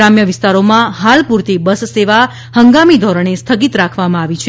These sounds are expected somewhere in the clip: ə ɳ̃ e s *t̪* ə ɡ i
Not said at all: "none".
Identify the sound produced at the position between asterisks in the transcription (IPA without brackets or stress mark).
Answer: t̪ʰ